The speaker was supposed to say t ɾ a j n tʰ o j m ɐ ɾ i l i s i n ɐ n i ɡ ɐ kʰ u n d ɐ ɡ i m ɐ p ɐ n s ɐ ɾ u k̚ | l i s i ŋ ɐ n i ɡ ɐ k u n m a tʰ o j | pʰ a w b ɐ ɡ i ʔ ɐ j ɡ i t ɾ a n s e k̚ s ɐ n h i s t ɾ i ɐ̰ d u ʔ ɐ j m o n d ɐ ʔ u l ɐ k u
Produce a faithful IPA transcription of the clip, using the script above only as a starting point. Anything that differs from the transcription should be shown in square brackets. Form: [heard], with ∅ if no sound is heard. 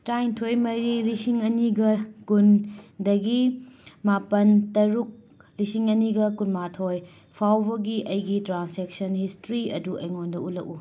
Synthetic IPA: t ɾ a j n tʰ o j m ɐ ɾ i l i s i [ŋ] ɐ n i ɡ ɐ [k] u n d ɐ ɡ i m [a] p ɐ n [t] ɐ ɾ u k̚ | l i s i ŋ ɐ n i ɡ ɐ k u n m a tʰ o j | pʰ a w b ɐ ɡ i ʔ ɐ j ɡ i t ɾ a n s e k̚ s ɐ n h i s t ɾ i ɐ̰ d u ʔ ɐ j [ŋ] o n d ɐ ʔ u l ɐ k u